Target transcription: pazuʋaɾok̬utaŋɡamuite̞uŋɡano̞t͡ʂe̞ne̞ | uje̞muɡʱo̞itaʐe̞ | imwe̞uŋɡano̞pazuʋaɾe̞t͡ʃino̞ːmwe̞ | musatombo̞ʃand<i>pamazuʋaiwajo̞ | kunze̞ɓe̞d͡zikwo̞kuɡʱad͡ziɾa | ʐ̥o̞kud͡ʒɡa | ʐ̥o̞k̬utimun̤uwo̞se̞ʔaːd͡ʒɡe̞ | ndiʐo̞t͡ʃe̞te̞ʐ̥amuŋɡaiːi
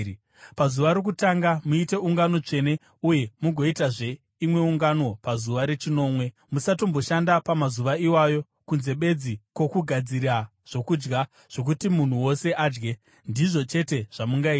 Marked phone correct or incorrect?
incorrect: a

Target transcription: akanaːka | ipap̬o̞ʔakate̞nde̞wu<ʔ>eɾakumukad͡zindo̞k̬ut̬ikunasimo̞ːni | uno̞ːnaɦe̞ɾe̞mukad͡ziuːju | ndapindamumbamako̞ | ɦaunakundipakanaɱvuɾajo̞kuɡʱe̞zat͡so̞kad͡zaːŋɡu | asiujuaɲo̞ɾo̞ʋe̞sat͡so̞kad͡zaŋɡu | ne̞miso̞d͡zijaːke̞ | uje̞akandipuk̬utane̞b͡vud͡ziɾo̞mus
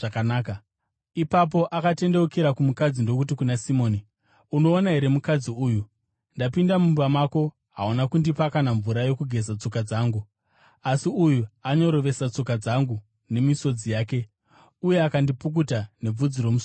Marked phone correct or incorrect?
incorrect: k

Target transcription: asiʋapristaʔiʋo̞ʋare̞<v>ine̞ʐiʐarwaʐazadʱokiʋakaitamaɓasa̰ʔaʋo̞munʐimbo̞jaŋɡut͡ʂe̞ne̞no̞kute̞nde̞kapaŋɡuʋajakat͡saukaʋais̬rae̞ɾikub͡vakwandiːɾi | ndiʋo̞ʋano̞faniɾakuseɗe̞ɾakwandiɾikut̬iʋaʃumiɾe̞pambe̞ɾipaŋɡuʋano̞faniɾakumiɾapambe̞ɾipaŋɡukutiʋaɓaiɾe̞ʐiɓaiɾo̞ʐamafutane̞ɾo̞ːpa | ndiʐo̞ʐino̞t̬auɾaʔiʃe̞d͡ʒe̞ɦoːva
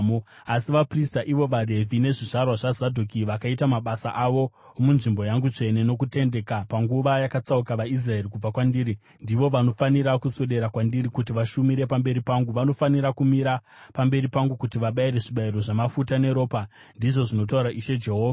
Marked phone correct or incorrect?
correct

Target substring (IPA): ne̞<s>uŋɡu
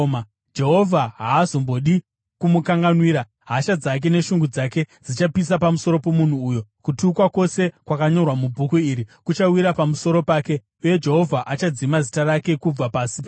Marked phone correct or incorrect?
incorrect: ʃ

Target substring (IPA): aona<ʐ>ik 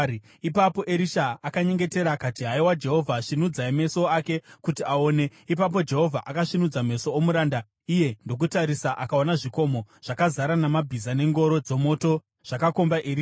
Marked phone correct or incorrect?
correct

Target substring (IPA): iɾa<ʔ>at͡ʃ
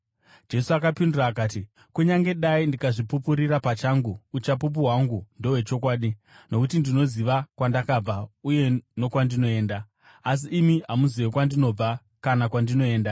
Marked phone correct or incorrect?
incorrect: p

